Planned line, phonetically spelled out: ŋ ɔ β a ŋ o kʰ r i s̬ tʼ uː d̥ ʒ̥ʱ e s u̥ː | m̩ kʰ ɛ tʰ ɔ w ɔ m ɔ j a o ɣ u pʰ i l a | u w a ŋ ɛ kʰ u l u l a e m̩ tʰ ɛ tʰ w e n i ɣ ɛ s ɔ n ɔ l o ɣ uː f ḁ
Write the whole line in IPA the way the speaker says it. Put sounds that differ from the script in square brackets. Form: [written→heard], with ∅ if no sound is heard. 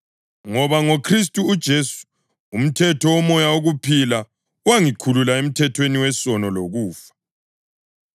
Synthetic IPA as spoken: ŋ ɔ β a ŋ o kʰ r i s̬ tʼ uː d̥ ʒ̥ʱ e s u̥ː | m̩ [kʰ→tʰ] ɛ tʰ ɔ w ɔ m ɔ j a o ɣ u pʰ i l a | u w a ŋ [ɛ→i] kʰ u l u l a e m̩ tʰ ɛ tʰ w e n i [ɣ→w] ɛ s ɔ n ɔ l o ɣ uː f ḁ

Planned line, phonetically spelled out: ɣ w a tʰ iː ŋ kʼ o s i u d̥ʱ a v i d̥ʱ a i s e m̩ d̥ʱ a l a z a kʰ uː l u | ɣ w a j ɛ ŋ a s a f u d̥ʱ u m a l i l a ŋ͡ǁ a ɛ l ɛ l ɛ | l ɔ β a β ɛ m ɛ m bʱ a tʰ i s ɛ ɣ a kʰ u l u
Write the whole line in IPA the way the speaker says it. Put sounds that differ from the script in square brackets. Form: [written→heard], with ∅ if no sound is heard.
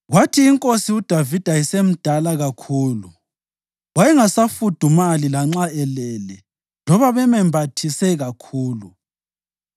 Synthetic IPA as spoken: ɣ w a tʰ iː ŋ kʼ o s i u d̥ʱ a v i d̥ʱ a i s e m̩ d̥ʱ a l a [z→ɣ] a kʰ uː l u | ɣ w a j ɛ ŋ a s a f u d̥ʱ u m a l i l a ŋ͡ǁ a ɛ l ɛ l ɛ | l ɔ β a β ɛ m ɛ m bʱ a tʰ i s ɛ ɣ a kʰ [u→uː] l u

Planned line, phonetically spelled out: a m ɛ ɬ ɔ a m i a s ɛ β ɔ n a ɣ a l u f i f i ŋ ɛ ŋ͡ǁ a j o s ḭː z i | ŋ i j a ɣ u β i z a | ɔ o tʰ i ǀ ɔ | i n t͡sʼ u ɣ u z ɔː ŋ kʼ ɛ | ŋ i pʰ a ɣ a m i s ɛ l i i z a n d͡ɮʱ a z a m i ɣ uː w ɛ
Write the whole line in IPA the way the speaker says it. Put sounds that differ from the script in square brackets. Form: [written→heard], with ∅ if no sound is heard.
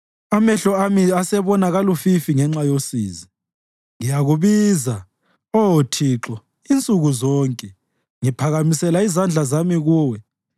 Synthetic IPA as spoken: a m ɛ ɬ ɔ a m i a s ɛ β ɔ n a ɣ a l u f i f i ŋ ɛ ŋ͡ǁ a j o s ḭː z i | ŋ i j a ɣ u β i z a | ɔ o tʰ i [ǀ→ǁ] ɔ | i n t͡sʼ u ɣ u z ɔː ŋ kʼ ɛ | ŋ i pʰ a ɣ a m i s ɛ l [i→a] i z a n d͡ɮʱ a z a m i ɣ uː w ɛ

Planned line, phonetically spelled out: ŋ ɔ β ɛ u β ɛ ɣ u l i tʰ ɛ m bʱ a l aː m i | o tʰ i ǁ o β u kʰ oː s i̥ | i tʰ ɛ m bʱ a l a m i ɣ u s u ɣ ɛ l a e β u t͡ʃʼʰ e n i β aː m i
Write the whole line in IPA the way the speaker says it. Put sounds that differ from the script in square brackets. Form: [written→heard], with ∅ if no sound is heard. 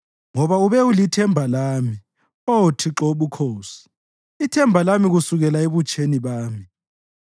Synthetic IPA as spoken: ŋ ɔ β [ɛ→a] u β ɛ [ɣ→∅] u l i tʰ ɛ m bʱ a l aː m i | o tʰ i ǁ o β u kʰ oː s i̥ | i tʰ ɛ m bʱ a l a m i ɣ u s u ɣ ɛ l a e β u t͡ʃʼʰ e n i β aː m i

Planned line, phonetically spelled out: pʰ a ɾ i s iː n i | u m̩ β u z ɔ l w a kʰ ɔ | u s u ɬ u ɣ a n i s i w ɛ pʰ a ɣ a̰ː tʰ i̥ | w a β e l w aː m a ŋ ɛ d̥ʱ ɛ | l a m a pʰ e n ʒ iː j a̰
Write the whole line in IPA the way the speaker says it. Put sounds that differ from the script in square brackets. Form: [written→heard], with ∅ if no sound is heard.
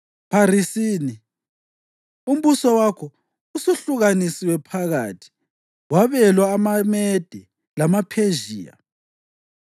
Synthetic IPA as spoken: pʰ a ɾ i s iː n i | u m̩ β u [z→s] ɔ [l→∅] w a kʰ ɔ | u s u ɬ u ɣ a n i s i w ɛ pʰ a ɣ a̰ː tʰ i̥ | w a β [e→ɛ] l w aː m a [ŋ→m] ɛ d̥ʱ ɛ | l a m a pʰ e [n→∅] ʒ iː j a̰

